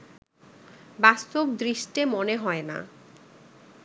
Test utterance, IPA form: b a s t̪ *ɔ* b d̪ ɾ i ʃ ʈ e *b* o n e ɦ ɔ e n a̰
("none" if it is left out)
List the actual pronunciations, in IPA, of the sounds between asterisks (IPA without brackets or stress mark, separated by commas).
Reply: o, m